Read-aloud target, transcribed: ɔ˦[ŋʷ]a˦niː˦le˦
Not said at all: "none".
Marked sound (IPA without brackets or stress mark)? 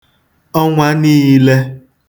ŋʷ